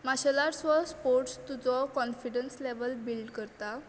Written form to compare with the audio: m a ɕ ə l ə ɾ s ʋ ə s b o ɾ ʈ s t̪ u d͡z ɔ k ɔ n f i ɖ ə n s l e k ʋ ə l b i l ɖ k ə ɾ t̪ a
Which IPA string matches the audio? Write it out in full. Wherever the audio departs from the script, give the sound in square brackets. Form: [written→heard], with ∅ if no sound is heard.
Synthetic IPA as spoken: m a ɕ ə l [ə→a] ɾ s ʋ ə s [b→p] o ɾ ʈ s t̪ u d͡z ɔ k ɔ n f i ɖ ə n s l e [k→∅] ʋ ə l b i l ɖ k ə ɾ t̪ a